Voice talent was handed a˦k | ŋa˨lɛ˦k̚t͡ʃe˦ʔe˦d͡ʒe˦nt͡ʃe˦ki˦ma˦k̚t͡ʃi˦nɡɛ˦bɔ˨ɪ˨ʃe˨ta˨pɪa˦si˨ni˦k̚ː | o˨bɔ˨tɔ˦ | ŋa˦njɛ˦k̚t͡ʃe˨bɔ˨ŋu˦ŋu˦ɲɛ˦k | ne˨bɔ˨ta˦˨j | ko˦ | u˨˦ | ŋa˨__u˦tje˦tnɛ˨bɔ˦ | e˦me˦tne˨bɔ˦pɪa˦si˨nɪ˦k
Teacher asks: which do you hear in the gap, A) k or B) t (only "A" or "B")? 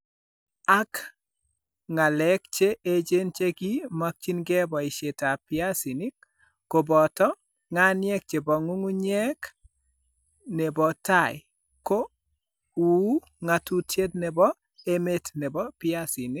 B